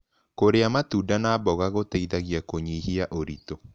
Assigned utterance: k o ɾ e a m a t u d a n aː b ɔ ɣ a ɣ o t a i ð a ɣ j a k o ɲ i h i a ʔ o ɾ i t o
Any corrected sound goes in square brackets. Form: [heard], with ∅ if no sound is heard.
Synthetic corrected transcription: k o ɾ e a m a t u d a n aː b ɔ ɣ a ɣ o t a i ð a ɣ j a k o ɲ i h i a ʔ o ɾ i t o